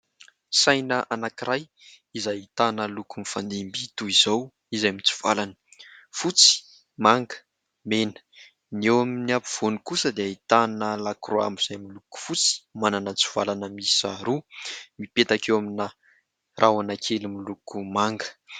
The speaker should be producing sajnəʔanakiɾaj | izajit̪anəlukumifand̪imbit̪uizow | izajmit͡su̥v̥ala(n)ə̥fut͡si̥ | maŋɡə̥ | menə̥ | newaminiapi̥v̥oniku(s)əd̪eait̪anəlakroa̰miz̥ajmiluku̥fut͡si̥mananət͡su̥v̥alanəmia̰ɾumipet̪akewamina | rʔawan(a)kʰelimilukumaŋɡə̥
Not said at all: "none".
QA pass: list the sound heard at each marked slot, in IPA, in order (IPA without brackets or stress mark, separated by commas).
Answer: n, s, a